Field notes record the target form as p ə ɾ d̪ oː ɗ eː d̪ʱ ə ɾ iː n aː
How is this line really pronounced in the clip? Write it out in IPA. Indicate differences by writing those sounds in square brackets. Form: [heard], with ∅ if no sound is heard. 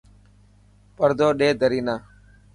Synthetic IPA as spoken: p ə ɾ d̪ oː ɗ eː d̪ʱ ə ɾ iː n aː